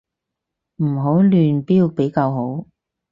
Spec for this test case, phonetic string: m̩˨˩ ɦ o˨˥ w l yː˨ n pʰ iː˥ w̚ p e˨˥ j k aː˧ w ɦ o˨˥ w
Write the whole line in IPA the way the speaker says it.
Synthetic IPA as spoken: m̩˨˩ ɦ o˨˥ w l yː˨ n p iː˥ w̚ p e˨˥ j k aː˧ w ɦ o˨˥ w